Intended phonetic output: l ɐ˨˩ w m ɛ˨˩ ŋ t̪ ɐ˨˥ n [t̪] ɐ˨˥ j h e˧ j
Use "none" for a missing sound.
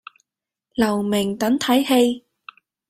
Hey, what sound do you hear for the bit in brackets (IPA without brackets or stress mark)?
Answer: t̪ʰ